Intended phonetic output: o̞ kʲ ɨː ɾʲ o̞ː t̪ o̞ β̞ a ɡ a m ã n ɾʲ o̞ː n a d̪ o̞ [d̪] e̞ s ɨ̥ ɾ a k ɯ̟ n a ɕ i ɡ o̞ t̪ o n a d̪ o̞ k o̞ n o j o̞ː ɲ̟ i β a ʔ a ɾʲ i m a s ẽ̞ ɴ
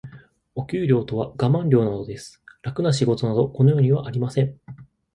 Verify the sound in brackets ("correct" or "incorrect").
correct